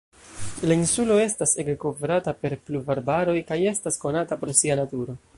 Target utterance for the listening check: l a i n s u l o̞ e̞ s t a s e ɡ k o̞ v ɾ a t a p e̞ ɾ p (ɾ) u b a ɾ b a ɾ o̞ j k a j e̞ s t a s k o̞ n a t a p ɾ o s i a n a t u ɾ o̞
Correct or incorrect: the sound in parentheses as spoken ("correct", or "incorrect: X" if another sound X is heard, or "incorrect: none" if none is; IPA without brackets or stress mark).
incorrect: l